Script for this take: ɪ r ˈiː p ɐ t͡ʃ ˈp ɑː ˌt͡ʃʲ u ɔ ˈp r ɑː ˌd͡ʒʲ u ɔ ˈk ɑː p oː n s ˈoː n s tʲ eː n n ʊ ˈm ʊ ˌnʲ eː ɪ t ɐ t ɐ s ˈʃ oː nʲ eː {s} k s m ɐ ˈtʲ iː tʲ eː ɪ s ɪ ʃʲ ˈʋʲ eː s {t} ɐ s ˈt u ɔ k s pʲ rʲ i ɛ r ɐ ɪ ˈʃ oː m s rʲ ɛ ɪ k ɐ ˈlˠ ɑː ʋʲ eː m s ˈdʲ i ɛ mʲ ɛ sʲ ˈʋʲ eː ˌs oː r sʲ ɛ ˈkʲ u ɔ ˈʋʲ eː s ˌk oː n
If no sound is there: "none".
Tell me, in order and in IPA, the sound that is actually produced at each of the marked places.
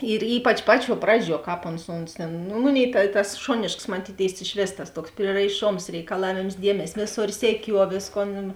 ʃ, t

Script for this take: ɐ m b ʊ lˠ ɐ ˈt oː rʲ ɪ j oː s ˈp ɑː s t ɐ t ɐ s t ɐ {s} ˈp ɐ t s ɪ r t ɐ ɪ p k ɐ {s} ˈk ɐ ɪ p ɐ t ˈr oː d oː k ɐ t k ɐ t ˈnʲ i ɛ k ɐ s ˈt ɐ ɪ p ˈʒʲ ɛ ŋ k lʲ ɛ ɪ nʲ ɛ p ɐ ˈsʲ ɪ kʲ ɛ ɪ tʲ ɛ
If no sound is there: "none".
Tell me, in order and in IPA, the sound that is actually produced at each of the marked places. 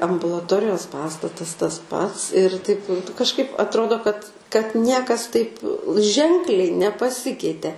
s, ʃ

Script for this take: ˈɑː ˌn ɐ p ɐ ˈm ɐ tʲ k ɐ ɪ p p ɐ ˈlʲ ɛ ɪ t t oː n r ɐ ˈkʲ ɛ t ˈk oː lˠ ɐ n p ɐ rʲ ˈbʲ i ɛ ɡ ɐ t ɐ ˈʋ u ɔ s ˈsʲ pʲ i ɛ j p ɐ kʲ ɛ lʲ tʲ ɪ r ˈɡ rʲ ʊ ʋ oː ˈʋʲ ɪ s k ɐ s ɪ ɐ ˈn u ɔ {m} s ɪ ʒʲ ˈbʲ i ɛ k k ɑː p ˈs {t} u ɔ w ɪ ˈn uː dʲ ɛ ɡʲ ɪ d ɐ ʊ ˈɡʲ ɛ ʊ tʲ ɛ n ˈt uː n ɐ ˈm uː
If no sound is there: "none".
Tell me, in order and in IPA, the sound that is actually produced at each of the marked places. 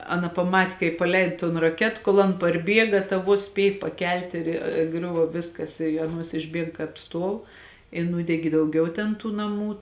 none, t

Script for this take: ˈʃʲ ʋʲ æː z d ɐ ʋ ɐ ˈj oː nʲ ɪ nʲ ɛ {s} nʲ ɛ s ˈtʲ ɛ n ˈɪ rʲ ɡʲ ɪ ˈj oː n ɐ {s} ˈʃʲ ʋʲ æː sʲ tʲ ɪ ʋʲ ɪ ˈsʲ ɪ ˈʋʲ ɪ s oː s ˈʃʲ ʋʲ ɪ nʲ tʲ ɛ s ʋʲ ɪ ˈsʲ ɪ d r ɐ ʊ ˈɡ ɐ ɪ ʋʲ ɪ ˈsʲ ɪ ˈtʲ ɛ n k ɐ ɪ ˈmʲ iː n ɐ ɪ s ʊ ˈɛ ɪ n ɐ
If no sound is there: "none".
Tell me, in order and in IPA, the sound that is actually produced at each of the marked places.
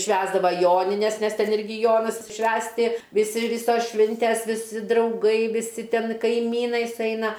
s, s

